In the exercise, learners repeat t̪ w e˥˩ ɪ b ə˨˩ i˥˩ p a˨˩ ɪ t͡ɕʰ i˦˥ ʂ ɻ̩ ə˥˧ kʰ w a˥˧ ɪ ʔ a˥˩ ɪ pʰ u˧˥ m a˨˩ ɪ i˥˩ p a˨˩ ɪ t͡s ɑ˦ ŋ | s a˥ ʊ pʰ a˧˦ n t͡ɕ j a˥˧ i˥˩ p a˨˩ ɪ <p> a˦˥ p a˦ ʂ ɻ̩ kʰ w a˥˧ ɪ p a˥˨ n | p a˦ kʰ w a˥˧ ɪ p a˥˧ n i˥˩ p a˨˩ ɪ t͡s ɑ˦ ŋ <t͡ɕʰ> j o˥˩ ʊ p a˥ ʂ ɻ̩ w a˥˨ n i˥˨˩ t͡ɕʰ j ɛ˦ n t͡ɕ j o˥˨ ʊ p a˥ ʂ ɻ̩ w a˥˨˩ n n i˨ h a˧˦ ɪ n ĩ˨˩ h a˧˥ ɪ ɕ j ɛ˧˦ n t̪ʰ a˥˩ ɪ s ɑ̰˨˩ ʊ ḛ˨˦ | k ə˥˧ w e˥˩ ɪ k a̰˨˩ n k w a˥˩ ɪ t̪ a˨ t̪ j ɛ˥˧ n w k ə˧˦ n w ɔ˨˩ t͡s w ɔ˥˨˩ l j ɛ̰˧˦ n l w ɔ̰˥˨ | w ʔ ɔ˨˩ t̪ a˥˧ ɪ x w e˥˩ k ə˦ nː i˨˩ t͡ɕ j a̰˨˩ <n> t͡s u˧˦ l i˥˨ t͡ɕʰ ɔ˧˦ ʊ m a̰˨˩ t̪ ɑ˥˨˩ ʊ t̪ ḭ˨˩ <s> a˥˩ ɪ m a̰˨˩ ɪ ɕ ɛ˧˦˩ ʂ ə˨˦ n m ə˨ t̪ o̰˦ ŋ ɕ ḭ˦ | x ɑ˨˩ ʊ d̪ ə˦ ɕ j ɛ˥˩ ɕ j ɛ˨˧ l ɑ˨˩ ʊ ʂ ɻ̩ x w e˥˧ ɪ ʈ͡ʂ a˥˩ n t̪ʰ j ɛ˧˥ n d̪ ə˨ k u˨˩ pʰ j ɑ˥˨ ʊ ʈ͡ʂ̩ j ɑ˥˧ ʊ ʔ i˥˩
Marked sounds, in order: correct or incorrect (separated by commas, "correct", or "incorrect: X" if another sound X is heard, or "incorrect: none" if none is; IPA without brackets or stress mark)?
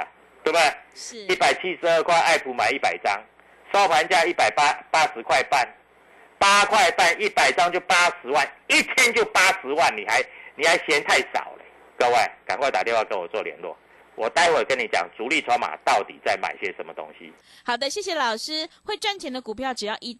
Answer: correct, incorrect: t͡ɕ, incorrect: ŋ, incorrect: t͡s